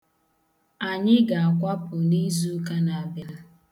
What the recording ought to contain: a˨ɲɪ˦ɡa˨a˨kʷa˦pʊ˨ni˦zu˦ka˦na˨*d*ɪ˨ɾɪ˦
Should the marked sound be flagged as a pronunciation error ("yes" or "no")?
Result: yes